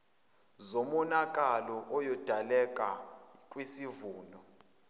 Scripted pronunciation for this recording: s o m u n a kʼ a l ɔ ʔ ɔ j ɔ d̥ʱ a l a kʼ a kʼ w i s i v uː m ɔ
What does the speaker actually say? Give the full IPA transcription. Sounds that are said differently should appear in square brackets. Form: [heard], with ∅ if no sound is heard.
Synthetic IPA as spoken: [z] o m [ɔ] n a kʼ a l ɔ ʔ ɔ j ɔ d̥ʱ a l [ɛ] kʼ a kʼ w i s i v uː [n] ɔ